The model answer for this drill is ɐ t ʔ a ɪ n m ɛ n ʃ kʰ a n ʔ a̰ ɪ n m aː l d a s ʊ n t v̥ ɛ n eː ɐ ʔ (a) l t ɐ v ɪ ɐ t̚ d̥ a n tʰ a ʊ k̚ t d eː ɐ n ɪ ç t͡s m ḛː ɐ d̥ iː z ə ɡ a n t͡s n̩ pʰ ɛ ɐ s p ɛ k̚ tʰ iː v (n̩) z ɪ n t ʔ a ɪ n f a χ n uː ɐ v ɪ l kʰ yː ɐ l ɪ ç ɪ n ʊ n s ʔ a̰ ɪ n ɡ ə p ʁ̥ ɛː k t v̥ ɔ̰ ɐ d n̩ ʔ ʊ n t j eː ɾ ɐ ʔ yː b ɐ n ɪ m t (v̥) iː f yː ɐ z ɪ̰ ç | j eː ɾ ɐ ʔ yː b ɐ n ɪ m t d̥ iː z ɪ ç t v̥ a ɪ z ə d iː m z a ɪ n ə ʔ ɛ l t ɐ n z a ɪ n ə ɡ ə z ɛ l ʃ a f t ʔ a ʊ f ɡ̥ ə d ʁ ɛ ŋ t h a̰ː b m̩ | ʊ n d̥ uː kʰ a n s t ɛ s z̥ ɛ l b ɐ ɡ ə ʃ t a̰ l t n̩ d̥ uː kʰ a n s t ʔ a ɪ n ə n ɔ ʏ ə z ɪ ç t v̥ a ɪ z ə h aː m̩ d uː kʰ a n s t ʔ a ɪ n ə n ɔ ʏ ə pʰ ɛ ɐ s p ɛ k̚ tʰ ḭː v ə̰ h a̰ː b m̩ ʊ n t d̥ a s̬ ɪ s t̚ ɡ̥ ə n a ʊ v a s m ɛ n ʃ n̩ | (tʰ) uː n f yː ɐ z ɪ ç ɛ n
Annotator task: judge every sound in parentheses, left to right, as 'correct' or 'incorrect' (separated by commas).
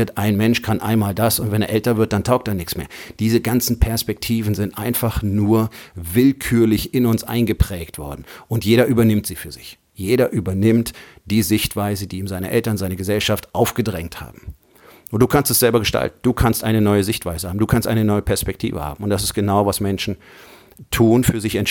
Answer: incorrect, correct, incorrect, correct